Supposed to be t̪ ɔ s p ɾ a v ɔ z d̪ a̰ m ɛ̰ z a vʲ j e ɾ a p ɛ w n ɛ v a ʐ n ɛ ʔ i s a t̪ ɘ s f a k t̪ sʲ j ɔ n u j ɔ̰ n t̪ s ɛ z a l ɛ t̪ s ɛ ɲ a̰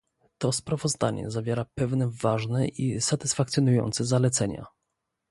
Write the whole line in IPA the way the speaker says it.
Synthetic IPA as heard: t̪ ɔ s p ɾ a v ɔ z d̪ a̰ ɲ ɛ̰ z a vʲ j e ɾ a p ɛ v n ɛ v a ʐ n ɛ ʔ i s a t̪ ɘ s f a k t̪ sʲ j ɔ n u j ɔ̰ n t̪ s ɛ z a l ɛ t̪ s ɛ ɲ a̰